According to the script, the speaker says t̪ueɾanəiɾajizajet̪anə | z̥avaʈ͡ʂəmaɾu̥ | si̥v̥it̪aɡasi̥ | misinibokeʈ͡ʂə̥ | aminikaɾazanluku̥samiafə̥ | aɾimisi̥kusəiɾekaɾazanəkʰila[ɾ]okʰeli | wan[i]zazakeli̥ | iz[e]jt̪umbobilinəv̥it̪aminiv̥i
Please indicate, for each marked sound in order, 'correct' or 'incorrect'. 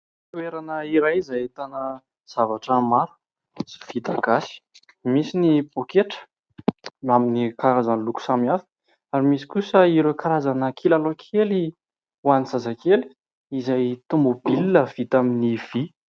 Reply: incorrect: l, correct, incorrect: a

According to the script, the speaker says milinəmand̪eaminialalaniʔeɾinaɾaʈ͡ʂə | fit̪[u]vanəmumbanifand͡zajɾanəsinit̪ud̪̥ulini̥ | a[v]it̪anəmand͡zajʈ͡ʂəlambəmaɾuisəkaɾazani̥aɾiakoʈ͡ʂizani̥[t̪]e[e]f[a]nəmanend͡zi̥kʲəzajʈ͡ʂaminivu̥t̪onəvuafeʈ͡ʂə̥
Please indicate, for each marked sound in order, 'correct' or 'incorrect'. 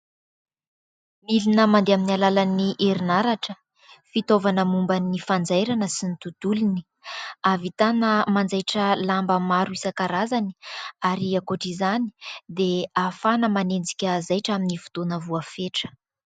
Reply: incorrect: o, correct, incorrect: d̪, incorrect: a, correct

